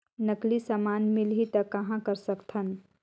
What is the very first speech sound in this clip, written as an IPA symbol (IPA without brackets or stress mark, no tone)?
n